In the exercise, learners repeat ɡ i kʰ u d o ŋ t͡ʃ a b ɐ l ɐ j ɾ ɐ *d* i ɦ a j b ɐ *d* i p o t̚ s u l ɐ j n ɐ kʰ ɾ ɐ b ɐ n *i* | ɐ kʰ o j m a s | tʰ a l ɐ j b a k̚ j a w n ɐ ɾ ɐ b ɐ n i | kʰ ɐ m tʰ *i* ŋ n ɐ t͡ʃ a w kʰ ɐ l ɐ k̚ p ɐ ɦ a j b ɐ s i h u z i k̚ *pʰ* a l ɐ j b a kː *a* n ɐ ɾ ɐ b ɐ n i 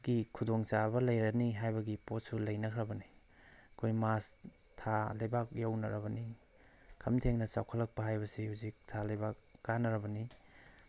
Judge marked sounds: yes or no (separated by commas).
no, no, yes, no, no, yes